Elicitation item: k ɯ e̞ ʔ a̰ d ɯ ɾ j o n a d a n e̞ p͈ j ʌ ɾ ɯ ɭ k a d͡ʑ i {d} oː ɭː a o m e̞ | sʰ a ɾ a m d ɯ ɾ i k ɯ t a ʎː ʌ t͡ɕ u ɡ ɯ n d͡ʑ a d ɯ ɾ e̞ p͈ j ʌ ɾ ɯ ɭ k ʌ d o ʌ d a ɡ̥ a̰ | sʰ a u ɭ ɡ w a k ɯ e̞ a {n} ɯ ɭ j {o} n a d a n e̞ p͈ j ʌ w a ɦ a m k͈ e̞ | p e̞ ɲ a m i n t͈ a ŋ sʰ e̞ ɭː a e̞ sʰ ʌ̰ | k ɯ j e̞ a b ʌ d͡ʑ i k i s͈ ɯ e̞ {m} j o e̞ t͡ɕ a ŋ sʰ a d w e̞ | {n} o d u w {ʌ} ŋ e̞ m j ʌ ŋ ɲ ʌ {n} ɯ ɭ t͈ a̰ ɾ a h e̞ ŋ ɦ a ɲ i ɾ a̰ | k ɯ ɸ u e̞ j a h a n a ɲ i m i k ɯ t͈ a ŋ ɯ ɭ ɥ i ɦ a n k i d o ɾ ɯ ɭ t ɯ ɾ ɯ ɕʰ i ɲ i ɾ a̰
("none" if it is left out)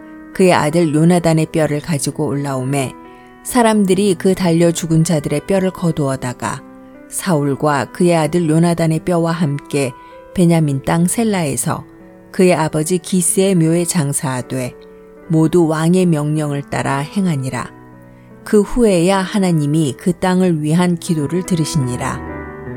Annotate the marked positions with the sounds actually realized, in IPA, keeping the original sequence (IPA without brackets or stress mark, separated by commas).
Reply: ɡ, d, o, m, m, a, ŋ